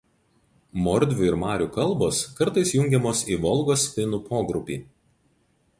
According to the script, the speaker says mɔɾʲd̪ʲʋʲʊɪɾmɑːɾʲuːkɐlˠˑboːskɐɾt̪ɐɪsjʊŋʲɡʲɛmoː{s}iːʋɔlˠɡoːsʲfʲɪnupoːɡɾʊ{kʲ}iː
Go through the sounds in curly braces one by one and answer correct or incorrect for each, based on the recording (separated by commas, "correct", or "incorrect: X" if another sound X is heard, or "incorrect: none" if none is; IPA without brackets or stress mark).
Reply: correct, incorrect: pʲ